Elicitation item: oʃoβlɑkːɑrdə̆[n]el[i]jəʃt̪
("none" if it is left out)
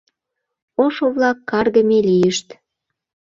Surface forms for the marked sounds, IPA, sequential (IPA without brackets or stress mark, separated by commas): m, i